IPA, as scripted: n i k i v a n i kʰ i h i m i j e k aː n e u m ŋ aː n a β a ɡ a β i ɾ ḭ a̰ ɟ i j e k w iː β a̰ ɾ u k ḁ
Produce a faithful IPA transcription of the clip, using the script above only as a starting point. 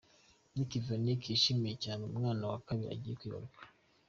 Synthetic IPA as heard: n i k i v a n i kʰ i ʃ i m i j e c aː n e u m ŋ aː n a w a k a β i ɾ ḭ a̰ ɟ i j e k w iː β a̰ ɾ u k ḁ